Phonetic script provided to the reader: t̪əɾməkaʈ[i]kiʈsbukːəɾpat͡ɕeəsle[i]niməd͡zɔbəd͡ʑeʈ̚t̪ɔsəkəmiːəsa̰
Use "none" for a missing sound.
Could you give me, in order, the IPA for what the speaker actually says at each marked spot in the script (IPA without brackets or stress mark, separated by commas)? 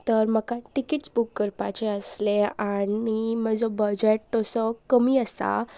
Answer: i, a